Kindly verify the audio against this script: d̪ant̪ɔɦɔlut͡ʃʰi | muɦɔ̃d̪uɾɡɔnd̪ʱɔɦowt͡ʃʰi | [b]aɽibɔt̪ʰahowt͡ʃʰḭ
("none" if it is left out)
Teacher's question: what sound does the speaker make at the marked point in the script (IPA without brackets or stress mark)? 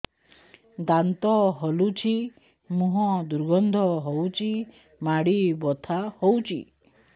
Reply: m